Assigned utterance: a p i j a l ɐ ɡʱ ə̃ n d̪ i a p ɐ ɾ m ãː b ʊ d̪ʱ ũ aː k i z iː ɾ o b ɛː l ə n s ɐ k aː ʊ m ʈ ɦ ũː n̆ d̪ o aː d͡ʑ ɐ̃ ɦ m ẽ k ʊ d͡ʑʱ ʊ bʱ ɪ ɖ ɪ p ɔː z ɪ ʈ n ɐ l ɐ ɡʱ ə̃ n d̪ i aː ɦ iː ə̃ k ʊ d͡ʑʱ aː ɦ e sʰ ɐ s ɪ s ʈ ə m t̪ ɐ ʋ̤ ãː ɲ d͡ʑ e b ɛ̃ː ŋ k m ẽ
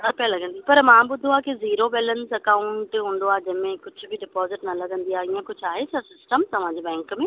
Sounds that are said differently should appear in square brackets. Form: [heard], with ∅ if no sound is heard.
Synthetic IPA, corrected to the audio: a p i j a l ɐ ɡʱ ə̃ n d̪ i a p ɐ ɾ m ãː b ʊ d̪ʱ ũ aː k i z iː ɾ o b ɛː l ə n s ɐ k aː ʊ [ɳ] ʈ ɦ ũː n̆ d̪ o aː d͡ʑ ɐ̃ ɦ m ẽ k ʊ d͡ʑʱ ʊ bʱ ɪ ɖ ɪ p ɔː z ɪ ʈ n ɐ l ɐ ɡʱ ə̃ n d̪ i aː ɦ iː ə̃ k ʊ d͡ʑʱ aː ɦ e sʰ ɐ s ɪ s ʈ ə m t̪ ɐ ʋ̤ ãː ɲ d͡ʑ e b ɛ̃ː ŋ k m ẽ